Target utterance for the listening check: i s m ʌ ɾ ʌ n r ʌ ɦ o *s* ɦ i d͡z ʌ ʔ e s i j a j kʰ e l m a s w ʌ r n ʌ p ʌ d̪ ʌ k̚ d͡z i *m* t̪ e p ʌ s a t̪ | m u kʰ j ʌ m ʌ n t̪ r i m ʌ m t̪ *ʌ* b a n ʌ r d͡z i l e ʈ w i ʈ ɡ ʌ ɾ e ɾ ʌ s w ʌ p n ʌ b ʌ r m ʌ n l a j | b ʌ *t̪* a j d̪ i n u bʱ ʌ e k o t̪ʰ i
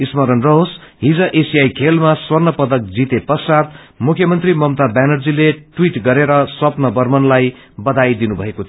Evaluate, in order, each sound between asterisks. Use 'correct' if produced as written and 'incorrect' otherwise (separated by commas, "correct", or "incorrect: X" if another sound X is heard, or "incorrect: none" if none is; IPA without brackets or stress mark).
correct, incorrect: none, incorrect: a, incorrect: d̪